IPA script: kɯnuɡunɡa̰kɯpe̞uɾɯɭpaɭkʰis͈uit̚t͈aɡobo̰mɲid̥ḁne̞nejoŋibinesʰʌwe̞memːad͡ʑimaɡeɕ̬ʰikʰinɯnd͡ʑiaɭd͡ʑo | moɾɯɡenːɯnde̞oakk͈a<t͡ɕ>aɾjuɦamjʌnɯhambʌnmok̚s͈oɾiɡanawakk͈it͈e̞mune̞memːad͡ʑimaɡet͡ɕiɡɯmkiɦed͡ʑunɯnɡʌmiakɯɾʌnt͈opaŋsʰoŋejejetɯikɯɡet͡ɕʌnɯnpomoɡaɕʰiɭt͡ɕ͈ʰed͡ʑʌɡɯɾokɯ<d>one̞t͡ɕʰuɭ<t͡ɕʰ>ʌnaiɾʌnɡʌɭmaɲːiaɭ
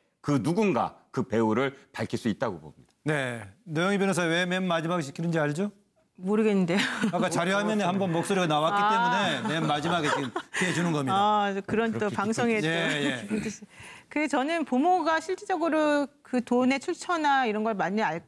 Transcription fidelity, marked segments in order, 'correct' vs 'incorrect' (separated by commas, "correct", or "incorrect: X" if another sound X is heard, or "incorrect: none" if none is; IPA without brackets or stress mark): correct, incorrect: t, correct